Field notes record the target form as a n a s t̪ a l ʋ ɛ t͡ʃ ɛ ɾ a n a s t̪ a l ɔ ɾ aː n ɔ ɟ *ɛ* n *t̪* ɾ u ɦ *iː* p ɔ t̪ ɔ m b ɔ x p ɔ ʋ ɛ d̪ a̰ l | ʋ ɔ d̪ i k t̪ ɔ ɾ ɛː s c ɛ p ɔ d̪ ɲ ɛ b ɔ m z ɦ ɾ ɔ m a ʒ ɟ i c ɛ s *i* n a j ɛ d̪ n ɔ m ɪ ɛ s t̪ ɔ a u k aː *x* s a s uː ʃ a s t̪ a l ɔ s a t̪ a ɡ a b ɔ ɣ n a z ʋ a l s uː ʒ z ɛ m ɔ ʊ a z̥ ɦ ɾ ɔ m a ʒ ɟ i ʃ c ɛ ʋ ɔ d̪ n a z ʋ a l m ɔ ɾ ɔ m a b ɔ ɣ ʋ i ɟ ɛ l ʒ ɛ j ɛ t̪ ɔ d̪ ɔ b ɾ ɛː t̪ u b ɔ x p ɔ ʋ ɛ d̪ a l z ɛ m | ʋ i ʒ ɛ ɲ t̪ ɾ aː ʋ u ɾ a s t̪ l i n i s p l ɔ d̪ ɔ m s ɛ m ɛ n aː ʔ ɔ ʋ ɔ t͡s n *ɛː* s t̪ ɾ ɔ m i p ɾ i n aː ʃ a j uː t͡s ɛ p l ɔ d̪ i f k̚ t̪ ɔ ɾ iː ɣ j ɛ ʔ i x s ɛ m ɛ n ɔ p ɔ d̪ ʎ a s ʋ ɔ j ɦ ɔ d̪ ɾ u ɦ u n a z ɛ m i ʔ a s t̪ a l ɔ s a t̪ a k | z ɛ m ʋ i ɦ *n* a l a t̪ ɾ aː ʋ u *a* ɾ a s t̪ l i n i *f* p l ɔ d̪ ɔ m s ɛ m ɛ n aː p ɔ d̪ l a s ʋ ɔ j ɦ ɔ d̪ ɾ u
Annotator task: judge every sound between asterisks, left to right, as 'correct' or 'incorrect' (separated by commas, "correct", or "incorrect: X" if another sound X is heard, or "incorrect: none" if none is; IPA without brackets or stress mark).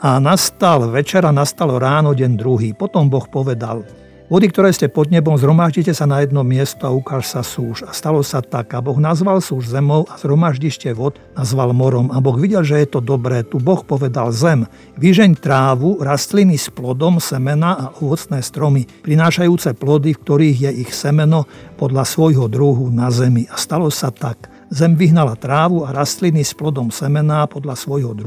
correct, incorrect: d̪, correct, incorrect: a, incorrect: ʃ, correct, correct, correct, incorrect: s